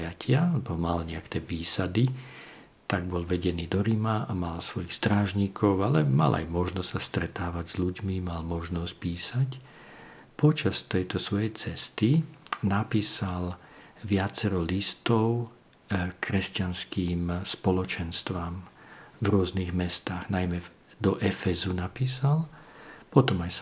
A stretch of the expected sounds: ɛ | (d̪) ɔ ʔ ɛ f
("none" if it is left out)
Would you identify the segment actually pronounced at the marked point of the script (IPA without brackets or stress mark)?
d̪